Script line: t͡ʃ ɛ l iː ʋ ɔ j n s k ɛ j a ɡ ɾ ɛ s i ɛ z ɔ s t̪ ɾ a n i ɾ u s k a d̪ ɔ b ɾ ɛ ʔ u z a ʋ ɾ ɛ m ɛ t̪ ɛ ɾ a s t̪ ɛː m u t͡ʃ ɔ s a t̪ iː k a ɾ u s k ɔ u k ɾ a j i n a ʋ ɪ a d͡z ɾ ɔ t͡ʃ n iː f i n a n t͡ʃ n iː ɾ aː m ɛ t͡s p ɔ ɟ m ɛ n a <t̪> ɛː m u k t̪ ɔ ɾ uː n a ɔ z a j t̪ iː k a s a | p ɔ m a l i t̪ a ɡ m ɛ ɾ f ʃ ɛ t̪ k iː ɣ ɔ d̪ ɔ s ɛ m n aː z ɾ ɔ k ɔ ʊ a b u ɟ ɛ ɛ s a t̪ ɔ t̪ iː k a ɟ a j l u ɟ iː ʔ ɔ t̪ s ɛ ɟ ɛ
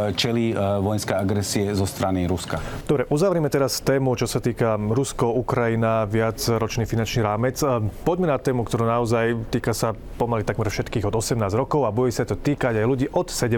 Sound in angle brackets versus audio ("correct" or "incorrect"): correct